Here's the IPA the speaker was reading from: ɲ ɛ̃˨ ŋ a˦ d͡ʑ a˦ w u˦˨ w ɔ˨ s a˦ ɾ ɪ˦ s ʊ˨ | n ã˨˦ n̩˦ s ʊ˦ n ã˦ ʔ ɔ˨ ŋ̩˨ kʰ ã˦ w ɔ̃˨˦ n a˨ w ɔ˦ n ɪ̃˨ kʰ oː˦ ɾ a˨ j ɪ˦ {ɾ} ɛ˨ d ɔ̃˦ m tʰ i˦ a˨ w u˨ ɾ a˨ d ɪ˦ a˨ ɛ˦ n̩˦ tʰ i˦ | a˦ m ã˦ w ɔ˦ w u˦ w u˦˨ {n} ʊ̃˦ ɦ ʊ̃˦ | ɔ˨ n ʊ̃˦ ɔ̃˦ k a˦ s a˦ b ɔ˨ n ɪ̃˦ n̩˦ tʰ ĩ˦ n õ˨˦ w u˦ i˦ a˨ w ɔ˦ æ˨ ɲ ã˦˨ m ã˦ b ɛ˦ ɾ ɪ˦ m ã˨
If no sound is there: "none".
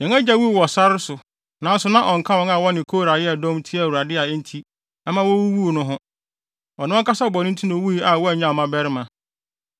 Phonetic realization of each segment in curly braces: none, n

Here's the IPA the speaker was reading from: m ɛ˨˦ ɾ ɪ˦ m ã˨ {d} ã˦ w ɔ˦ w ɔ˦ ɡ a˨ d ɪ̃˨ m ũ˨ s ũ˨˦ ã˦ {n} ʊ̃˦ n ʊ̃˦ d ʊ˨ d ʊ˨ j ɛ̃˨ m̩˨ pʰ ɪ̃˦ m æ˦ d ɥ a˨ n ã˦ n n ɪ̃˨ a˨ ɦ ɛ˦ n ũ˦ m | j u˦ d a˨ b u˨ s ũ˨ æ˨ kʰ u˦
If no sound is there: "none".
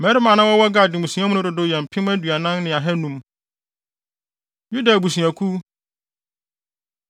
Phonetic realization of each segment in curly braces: n, m

